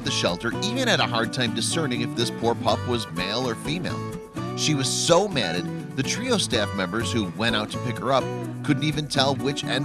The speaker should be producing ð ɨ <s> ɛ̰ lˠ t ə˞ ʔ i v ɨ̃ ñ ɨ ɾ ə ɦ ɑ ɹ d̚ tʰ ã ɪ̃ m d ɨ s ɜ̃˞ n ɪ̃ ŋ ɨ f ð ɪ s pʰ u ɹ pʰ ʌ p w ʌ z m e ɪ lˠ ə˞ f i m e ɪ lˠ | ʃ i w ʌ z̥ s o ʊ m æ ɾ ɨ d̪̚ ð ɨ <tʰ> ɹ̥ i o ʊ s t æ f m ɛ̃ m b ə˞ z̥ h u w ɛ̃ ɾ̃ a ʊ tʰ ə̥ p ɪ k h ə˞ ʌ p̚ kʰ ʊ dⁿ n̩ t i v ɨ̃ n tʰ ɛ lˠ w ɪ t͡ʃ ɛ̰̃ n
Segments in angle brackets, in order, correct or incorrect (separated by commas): incorrect, correct